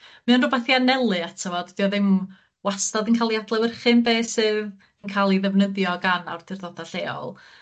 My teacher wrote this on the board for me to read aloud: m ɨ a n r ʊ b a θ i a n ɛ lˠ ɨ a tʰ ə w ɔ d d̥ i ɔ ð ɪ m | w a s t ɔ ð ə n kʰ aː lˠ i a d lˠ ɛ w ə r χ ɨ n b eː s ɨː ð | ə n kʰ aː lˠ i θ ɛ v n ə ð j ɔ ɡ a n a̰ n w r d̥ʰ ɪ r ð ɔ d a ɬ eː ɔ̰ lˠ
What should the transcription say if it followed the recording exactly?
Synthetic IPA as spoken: m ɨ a n r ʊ b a θ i a n ɛ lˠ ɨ a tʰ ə v ɔ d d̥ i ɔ ð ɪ m | w a s t ɔ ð ə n kʰ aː lˠ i a d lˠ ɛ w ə r χ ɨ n b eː s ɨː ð | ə n kʰ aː lˠ i ð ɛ v n ə ð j ɔ ɡ a n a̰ w r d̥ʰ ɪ r ð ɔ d a ɬ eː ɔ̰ lˠ